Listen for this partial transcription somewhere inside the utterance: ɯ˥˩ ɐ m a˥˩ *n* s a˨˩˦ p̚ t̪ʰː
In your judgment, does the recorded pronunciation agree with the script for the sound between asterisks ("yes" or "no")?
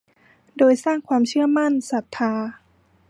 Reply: yes